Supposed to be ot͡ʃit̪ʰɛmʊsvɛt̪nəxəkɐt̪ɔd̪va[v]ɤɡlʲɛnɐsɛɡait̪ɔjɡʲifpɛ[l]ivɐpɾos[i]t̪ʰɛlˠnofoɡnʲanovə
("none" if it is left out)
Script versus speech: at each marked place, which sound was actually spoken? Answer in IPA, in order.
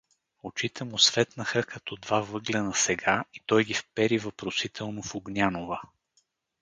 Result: v, ɾ, i

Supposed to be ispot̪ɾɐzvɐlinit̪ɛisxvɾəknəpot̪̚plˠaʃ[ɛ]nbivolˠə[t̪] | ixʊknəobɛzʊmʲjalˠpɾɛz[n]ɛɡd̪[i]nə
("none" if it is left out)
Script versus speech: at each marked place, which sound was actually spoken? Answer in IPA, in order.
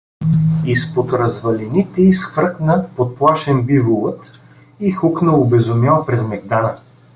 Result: ɛ, t̪, m, a

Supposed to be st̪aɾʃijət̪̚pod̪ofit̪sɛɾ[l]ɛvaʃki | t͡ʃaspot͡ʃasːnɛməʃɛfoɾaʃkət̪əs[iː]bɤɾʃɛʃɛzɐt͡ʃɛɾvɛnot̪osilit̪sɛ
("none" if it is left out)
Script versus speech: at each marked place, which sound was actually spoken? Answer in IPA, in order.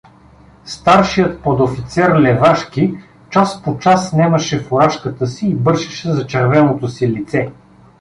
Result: l, iː

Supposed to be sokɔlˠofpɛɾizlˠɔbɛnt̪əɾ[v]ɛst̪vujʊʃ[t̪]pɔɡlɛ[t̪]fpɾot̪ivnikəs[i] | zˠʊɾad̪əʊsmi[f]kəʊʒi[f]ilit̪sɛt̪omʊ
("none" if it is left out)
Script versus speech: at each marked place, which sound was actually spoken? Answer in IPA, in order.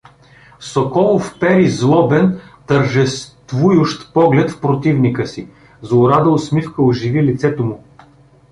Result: ʒ, t̪, t̪, i, f, v

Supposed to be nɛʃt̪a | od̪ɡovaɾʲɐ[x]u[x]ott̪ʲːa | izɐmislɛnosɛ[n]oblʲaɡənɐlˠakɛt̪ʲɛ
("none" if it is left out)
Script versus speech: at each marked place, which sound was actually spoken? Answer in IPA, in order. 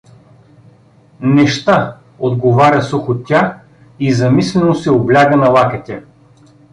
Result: s, x, none

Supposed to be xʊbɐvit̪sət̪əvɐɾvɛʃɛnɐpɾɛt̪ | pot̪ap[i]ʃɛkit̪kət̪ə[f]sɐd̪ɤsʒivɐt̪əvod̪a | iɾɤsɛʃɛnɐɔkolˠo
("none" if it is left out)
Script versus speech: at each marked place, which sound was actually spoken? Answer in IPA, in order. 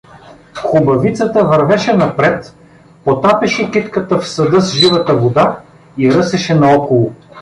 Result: ɛ, f

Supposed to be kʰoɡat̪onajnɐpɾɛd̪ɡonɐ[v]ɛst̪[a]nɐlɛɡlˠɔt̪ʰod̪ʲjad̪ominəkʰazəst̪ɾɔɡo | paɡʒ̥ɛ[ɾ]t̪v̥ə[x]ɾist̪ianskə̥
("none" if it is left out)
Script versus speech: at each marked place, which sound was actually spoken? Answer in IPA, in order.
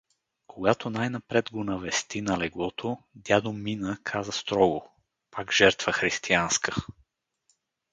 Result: v, i, ɾ, x

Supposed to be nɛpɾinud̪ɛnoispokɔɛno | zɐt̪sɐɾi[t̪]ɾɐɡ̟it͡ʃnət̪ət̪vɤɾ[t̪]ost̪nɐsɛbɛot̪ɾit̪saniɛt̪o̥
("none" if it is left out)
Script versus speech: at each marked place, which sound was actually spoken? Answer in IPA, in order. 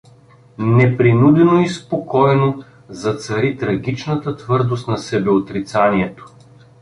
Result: t̪, d̪

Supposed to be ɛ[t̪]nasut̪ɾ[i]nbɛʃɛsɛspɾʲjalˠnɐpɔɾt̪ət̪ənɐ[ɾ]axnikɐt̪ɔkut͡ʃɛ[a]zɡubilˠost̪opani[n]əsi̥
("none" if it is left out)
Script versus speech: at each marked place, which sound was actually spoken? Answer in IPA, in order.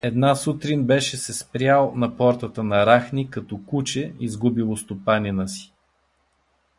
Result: d̪, i, ɾ, i, n

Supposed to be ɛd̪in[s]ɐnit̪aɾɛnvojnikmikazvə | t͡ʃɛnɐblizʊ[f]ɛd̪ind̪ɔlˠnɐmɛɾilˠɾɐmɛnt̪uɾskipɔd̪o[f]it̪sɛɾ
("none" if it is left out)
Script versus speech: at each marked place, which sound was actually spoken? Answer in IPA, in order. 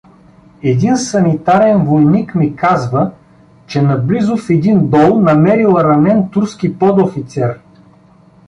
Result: s, f, f

